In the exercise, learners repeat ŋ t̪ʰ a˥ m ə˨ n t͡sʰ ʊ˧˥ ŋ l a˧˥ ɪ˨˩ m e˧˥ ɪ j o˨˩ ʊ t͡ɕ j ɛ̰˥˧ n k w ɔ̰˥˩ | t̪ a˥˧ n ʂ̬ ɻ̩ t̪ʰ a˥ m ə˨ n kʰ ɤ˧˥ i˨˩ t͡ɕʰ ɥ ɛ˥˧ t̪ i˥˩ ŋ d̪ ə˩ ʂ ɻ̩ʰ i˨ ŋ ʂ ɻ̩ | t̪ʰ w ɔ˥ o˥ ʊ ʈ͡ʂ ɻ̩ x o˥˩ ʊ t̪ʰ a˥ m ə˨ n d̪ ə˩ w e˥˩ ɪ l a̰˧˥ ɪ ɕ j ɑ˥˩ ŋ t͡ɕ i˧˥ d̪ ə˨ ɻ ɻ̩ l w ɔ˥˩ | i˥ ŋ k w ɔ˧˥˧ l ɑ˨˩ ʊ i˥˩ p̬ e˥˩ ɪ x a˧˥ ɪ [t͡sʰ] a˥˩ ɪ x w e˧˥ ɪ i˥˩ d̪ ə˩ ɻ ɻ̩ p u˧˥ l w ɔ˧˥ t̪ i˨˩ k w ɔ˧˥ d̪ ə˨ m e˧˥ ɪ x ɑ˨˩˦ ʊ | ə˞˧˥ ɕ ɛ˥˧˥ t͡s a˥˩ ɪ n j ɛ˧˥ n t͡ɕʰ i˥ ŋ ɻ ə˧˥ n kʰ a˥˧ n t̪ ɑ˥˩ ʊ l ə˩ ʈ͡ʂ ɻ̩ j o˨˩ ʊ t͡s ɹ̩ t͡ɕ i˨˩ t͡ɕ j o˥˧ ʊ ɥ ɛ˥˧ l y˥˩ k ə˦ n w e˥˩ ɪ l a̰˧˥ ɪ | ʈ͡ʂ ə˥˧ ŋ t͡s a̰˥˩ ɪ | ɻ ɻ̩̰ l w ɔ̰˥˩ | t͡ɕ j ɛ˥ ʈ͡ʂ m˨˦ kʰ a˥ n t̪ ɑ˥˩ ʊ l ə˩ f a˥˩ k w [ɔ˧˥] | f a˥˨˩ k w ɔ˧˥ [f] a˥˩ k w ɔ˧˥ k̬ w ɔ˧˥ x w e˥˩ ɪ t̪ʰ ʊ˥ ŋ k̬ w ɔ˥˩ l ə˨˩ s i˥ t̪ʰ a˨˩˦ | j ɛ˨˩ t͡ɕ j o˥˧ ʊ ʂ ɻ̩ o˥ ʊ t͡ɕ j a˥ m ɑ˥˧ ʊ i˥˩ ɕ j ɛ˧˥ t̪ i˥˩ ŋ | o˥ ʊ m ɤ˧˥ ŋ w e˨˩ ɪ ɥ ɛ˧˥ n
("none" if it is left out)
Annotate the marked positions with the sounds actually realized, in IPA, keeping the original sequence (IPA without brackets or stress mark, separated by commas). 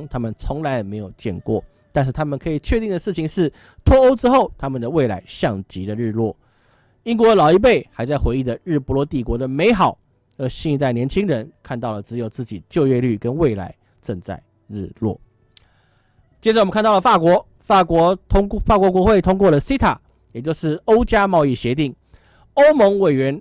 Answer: t͡s, ɔ˧˥, f